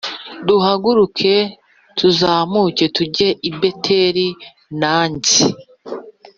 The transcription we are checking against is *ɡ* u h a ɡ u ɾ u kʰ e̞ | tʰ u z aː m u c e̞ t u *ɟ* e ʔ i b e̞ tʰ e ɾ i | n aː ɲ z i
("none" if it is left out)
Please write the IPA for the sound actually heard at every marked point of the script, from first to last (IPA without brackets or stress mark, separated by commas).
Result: d, ɟ